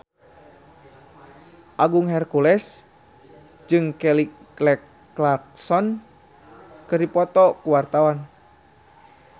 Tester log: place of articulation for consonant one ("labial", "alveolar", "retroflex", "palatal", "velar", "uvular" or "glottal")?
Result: glottal